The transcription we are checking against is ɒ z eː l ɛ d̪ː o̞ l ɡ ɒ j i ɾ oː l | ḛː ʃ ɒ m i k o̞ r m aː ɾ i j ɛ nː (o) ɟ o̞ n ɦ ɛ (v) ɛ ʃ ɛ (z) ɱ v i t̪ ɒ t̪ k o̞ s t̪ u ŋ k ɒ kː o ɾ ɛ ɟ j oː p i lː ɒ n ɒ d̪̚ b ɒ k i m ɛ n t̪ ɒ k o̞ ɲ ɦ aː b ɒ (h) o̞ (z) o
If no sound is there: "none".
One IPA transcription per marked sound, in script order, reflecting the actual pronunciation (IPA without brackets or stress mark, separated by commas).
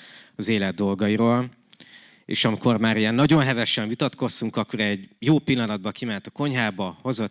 ɒ, v, none, h, z